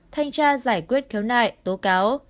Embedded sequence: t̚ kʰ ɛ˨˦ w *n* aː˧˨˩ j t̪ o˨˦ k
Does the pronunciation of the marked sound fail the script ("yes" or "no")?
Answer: no